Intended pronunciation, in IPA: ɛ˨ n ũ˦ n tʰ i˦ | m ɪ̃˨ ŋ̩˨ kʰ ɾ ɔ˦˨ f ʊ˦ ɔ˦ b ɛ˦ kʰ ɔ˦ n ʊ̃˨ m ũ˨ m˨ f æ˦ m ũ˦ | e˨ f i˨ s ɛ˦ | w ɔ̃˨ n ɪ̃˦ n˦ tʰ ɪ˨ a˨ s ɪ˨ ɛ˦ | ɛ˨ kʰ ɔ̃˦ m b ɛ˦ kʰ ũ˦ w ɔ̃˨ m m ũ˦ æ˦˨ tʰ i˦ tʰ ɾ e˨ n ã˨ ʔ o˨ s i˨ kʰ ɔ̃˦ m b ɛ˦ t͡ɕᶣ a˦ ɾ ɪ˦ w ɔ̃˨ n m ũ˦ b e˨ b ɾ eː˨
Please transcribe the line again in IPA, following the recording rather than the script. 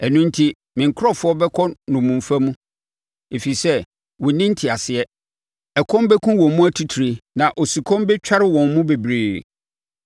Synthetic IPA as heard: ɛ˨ n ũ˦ n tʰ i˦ | m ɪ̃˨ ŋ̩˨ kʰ ɾ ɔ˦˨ f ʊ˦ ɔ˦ b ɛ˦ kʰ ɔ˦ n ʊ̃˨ m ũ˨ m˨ f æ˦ m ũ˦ | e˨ f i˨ s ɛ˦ | w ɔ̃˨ n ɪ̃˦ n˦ tʰ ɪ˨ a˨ s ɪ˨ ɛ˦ | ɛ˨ kʰ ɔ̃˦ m b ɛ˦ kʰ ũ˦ w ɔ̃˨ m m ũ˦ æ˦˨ tʰ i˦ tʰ ɾ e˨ n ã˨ ʔ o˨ s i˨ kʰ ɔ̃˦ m b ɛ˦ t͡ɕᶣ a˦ ɾ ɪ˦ w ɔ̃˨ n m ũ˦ b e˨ b ɾ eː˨

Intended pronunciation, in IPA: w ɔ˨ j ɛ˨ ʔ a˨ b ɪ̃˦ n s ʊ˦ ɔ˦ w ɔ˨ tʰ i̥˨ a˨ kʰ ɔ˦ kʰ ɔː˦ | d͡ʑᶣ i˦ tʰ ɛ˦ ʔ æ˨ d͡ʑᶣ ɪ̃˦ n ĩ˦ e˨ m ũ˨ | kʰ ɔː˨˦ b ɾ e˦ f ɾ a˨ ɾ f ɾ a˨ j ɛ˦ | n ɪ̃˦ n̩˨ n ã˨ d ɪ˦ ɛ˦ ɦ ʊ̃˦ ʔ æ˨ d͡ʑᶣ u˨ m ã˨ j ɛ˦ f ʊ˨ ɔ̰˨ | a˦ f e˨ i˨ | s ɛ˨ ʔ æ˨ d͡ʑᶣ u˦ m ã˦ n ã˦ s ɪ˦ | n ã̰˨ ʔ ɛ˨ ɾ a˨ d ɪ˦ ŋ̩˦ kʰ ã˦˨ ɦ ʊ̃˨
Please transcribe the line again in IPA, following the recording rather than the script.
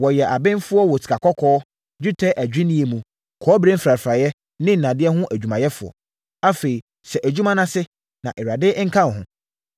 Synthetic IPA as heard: w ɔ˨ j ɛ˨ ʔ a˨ b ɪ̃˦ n f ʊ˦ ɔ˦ w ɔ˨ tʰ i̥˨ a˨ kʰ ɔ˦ kʰ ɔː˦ | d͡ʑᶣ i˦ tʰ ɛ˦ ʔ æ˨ d͡ʑᶣ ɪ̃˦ n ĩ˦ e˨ m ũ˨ | kʰ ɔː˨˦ b ɾ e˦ f ɾ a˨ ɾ f ɾ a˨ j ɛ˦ | n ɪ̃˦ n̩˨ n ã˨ d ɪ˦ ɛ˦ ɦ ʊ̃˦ ʔ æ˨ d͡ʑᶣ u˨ m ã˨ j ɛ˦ f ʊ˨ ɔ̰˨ | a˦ f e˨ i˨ | s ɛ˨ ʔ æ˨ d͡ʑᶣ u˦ m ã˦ n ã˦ s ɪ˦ | n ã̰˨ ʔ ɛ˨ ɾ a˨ d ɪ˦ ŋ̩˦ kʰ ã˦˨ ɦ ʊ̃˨

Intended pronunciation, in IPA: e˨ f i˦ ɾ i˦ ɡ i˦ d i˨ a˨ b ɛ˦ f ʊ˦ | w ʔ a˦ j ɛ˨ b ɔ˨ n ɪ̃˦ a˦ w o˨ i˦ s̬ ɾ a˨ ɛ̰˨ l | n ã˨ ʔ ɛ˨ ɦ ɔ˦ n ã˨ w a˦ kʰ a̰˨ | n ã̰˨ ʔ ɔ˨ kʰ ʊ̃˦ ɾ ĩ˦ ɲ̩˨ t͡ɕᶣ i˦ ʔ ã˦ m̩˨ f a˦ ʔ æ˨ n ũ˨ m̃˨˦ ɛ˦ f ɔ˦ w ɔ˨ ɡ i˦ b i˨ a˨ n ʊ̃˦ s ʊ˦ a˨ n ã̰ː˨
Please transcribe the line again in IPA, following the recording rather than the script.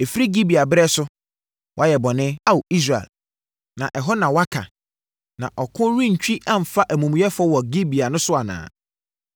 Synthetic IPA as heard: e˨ f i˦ ɾ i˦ ɡ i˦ b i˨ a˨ b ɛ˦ s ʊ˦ | w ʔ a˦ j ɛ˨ b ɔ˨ n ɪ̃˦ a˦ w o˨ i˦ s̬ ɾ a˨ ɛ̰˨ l | n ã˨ ʔ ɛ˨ ɦ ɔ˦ n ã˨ w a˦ kʰ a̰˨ | n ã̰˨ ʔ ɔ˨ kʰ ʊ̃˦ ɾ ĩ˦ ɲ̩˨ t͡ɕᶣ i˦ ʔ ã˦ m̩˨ f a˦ ʔ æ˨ m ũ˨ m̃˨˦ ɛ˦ f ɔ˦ w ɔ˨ ɡ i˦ b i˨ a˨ n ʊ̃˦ s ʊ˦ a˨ n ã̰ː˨

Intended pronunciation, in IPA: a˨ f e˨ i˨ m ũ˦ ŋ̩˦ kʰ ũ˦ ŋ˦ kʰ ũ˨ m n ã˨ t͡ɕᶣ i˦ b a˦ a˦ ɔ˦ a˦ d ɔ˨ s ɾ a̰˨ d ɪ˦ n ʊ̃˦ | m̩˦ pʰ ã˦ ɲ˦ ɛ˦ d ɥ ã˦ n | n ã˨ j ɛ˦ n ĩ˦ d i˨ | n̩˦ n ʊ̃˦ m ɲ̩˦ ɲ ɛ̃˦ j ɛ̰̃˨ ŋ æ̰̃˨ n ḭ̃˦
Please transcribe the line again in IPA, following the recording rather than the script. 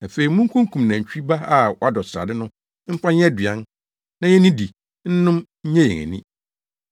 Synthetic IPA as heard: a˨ f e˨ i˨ m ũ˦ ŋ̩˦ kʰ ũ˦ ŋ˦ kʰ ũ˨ m n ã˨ t͡ɕᶣ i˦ b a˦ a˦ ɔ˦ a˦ d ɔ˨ s ɾ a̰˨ d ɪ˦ n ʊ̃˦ | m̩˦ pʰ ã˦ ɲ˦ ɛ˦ d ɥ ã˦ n | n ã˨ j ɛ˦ n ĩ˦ d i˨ | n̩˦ n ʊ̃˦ m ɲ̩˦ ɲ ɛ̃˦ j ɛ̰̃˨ ŋ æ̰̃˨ n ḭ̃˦

